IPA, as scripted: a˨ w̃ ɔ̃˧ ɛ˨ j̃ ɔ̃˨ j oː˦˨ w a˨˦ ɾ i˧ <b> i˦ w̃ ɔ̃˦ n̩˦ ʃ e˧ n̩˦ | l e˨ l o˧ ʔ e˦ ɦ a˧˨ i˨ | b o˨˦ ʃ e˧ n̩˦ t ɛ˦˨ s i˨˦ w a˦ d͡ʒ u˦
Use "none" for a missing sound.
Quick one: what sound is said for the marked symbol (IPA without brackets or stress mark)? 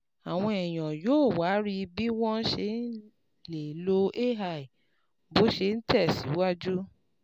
b